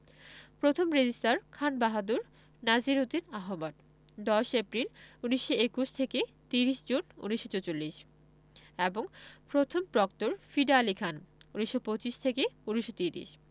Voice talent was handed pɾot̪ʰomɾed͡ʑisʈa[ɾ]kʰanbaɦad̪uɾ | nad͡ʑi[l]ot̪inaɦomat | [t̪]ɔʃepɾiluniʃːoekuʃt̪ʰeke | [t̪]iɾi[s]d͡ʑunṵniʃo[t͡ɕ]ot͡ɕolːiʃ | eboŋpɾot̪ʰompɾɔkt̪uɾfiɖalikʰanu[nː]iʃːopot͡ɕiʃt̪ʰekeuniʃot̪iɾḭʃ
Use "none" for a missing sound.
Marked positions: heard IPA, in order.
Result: ɾ, ɾ, d̪, t̪, ʃ, t͡ɕ, n

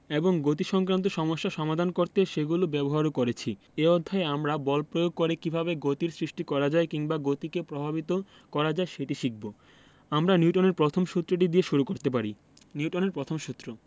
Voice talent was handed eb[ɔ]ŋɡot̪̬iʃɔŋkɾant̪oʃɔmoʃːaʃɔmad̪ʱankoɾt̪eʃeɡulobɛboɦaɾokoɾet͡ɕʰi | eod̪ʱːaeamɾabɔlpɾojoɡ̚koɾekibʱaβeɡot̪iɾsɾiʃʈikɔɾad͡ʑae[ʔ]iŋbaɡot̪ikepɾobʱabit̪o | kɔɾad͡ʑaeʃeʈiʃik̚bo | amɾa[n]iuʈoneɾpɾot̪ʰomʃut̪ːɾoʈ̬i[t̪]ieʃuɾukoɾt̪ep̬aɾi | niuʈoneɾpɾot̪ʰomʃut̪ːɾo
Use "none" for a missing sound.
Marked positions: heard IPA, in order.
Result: o, k, n, d̪

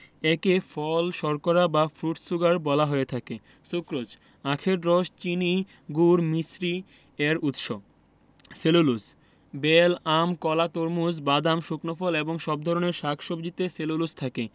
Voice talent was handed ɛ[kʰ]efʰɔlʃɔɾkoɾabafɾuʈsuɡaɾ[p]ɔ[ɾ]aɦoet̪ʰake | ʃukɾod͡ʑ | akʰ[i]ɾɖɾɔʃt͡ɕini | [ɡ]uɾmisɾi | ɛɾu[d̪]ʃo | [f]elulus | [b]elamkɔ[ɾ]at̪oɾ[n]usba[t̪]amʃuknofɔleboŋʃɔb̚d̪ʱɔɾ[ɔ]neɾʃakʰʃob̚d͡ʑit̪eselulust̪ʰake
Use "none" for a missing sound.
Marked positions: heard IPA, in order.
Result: k, b, l, e, ɡ, t̪, s, b, l, m, d̪, o

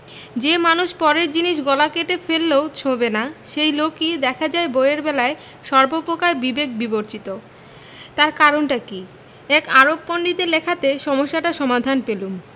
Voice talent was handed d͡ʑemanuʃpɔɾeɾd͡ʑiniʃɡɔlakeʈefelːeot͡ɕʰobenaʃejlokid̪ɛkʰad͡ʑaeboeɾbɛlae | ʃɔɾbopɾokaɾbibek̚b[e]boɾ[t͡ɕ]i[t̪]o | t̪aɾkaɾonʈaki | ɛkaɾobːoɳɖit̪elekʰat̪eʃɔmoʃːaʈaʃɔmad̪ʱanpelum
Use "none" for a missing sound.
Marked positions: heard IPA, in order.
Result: i, t͡ɕ, t̪

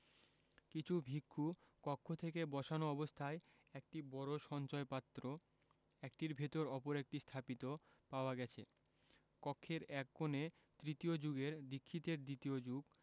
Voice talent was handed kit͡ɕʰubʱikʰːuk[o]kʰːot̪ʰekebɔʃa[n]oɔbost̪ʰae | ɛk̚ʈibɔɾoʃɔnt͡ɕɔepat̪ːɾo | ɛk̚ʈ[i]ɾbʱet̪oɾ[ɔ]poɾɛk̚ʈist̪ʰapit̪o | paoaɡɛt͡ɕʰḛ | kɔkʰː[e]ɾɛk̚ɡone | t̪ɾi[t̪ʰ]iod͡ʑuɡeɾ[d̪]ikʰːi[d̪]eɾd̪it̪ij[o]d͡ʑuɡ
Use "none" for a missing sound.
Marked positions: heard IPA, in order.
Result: ɔ, n, i, ɔ, e, t̪, d̪, t̪, o

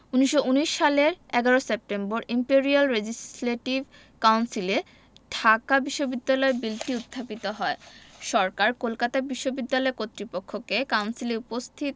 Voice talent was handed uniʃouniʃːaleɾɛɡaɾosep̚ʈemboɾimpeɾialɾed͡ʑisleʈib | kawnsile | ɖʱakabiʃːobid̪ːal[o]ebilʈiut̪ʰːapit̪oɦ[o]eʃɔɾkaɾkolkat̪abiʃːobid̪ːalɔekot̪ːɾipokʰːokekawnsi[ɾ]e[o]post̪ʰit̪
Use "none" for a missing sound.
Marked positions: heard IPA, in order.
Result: ɔ, ɔ, l, u

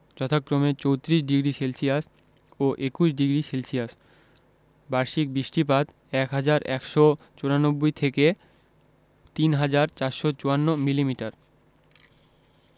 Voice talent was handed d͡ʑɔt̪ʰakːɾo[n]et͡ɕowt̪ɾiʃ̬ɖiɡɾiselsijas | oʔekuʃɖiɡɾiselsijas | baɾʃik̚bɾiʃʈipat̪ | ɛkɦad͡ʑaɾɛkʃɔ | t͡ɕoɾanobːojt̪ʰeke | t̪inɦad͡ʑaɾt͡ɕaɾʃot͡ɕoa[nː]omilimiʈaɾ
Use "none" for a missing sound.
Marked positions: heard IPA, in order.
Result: m, nː

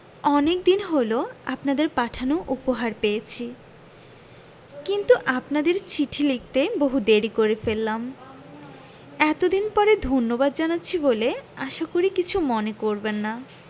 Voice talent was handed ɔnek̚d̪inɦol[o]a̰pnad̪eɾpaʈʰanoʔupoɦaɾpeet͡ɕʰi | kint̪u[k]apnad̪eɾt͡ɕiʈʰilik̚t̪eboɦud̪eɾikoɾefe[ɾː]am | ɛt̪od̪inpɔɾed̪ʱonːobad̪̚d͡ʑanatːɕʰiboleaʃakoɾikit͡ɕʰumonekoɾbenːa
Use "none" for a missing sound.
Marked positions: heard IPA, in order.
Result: o, ʔ, lː

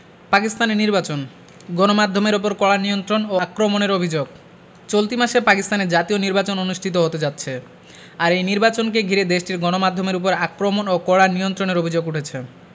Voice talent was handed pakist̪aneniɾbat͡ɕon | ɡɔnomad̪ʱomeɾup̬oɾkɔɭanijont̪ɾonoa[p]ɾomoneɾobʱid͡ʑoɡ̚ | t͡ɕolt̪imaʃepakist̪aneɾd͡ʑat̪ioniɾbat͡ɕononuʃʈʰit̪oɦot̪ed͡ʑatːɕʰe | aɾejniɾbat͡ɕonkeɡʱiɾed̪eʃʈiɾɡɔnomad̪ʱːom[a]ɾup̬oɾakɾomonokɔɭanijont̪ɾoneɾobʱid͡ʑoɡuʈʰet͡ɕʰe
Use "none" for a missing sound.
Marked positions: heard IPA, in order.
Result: k, e

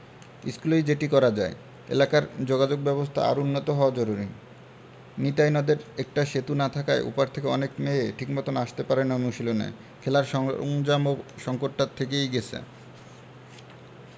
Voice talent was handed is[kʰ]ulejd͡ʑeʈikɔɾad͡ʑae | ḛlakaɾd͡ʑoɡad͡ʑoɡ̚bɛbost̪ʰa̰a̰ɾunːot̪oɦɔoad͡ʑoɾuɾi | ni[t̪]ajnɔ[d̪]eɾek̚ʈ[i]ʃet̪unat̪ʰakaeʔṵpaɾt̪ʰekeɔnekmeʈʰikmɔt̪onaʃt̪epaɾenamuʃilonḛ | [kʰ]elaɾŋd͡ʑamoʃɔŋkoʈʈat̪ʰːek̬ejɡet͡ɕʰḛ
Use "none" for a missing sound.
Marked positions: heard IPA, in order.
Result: k, t̪, d̪, a, kʰ

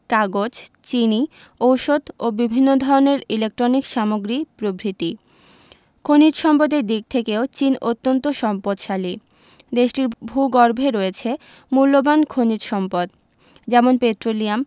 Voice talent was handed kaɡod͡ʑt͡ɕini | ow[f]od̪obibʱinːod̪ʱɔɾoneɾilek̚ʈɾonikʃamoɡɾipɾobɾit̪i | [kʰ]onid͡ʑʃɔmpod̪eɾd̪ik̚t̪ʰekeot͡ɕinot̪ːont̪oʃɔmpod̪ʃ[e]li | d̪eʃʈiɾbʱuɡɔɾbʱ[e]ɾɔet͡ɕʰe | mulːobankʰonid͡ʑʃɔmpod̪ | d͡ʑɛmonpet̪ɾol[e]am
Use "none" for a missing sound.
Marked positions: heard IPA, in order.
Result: ʃ, kʰ, a, e, i

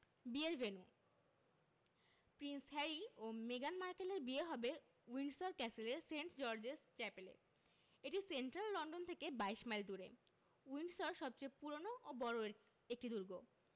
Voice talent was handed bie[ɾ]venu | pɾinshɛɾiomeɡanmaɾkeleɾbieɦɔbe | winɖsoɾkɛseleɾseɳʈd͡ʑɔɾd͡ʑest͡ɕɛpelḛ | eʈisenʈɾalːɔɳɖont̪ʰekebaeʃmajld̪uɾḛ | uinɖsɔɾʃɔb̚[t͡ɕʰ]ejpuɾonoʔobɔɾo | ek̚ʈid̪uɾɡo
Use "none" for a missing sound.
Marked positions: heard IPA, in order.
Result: ɾ, t͡ɕ

